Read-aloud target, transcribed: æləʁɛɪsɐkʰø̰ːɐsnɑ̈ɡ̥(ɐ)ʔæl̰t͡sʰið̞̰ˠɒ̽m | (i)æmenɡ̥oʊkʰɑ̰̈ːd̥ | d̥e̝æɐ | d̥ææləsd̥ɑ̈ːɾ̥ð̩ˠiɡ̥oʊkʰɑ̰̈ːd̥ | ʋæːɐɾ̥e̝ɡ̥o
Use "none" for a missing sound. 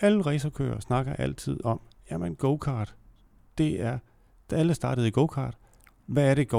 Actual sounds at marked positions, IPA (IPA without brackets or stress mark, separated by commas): ɐ, j